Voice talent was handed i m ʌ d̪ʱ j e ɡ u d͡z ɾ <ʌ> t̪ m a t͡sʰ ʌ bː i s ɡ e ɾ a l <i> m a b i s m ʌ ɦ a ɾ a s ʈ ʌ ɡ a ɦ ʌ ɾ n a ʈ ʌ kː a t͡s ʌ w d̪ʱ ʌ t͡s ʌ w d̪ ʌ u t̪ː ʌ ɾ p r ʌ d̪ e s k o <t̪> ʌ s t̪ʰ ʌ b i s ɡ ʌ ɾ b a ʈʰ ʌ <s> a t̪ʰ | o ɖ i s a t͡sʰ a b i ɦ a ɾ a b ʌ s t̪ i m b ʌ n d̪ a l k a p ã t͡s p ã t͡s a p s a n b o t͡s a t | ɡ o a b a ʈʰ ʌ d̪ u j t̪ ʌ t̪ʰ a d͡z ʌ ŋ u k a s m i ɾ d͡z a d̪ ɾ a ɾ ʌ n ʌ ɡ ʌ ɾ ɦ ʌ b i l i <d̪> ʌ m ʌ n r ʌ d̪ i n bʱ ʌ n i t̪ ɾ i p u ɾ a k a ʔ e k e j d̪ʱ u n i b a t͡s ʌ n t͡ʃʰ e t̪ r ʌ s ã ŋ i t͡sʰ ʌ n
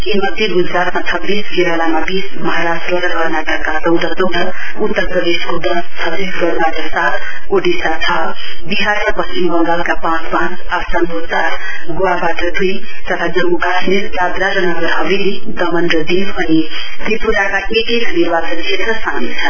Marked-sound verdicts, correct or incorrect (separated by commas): incorrect, incorrect, incorrect, correct, correct